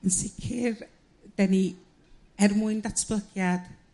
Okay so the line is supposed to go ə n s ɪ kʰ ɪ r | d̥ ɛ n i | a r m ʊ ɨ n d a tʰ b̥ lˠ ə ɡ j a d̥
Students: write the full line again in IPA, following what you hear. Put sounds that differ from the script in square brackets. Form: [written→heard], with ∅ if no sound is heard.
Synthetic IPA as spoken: ə n s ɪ kʰ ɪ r | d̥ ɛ n i | [a→ɛ] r m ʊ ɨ n d a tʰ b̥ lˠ ə ɡ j a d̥

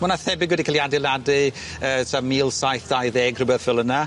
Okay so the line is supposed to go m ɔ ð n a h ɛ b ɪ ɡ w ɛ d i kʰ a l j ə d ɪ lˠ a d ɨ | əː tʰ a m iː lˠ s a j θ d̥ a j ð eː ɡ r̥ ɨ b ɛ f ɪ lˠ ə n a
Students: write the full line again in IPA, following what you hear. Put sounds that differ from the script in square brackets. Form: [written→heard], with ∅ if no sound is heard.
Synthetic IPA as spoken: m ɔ [ð→∅] n a [h→θ] ɛ b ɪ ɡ w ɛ d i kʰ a l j [ə→a] d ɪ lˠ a d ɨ | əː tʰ a m iː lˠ s a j θ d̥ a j ð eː ɡ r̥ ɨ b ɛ f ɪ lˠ ə n a

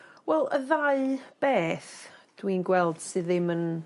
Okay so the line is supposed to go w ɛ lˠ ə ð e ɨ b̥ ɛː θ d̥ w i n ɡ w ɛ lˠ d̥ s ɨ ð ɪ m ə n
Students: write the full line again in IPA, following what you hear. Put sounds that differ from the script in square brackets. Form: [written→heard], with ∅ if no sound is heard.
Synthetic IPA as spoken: w ɛ lˠ ə ð [e→a] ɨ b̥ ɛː θ d̥ w i n ɡ w ɛ lˠ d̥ s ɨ ð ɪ m ə n

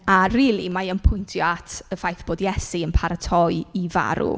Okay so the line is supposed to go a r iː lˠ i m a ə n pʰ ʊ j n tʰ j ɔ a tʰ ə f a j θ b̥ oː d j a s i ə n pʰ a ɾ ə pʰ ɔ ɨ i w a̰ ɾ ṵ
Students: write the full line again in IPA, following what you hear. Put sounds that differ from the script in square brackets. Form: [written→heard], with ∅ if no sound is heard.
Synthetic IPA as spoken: a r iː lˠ i m a ə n pʰ ʊ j n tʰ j ɔ a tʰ ə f a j θ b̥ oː d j [a→ɛ] s i ə n pʰ a ɾ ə [pʰ→tʰ] ɔ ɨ i [w→v] a̰ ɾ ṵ

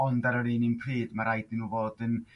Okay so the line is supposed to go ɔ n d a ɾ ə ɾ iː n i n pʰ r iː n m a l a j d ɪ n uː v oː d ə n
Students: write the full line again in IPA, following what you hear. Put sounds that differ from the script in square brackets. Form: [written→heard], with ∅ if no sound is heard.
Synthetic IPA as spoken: ɔ n d a ɾ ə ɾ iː n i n pʰ r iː [n→d] m a [l→ɾ] a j d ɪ n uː v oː d ə n

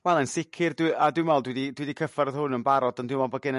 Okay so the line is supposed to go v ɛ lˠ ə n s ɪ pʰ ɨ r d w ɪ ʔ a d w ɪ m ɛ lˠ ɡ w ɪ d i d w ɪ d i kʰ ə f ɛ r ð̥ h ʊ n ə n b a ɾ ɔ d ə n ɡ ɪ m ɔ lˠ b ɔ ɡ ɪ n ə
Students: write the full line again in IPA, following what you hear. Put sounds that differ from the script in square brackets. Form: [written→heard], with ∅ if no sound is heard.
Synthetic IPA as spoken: [v→w] ɛ lˠ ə n s ɪ [pʰ→kʰ] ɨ r d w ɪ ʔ a d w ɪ m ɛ lˠ [ɡ→d] w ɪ d i d w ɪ d i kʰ ə f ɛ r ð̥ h ʊ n ə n b a ɾ ɔ d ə n [ɡ→d] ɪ m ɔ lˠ b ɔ ɡ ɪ n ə

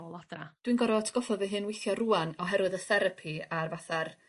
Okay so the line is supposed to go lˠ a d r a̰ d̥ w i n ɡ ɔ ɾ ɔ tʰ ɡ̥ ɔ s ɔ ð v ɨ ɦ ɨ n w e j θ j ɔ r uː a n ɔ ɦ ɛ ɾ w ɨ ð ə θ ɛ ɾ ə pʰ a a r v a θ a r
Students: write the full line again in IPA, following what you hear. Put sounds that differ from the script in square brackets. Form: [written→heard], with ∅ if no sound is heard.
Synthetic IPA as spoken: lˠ a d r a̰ d̥ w i n ɡ ɔ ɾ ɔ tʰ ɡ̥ ɔ [s→f] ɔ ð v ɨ ɦ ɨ n w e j θ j ɔ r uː a n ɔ ɦ ɛ ɾ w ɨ ð ə θ ɛ ɾ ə pʰ [a→i] a r v a θ a r

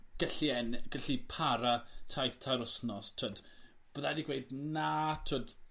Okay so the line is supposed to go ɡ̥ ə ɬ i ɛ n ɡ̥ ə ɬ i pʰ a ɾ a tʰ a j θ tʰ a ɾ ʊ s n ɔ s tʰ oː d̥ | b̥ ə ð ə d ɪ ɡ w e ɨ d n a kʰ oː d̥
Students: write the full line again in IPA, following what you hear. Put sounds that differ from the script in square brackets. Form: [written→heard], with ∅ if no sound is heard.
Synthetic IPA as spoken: ɡ̥ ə ɬ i ɛ n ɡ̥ ə ɬ i pʰ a ɾ a tʰ a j θ tʰ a ɾ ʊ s n ɔ s tʰ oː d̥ | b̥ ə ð [ə→a] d [ɪ→i] ɡ w e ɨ d n a [kʰ→tʰ] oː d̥

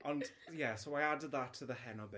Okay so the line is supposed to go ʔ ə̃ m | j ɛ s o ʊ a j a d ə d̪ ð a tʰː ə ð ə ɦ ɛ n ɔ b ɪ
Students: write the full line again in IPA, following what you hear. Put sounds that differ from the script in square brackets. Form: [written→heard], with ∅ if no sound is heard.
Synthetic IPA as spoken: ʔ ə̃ [m→n] | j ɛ s o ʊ a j a d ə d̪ ð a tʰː ə ð ə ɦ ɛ n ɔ b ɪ

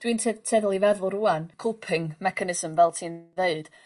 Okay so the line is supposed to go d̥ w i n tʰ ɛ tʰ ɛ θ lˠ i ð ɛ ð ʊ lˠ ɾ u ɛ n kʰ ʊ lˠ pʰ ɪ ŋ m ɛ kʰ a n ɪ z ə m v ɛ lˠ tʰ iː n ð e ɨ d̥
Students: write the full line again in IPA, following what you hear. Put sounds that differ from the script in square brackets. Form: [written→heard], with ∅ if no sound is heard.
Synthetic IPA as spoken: d̥ w i n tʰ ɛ tʰ ɛ [θ→ð] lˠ i [ð→v] ɛ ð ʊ lˠ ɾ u [ɛ→a] n kʰ ʊ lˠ pʰ ɪ ŋ m ɛ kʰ a n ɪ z ə m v ɛ lˠ tʰ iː n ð e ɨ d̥

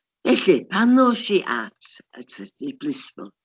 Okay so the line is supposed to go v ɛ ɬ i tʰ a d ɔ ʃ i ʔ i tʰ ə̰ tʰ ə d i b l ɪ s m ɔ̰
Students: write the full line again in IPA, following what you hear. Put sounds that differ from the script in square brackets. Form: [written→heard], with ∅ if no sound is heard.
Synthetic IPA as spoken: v ɛ ɬ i [tʰ→pʰ] a [d→n] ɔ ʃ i ʔ [i→a] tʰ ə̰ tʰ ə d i b l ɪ s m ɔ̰

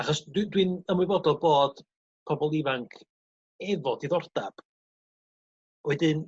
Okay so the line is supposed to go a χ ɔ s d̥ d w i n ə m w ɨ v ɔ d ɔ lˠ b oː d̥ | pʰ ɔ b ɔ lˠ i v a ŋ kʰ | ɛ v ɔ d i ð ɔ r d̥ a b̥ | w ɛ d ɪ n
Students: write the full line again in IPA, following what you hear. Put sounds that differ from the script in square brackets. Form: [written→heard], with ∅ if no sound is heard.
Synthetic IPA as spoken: a χ ɔ s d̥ d w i n ə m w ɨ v ɔ d ɔ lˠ b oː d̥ | pʰ ɔ b ɔ lˠ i v a ŋ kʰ | ɛ v ɔ d i ð ɔ r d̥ a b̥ | w ɛ d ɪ n

